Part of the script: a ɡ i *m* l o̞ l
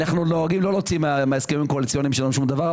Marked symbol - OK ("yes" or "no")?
yes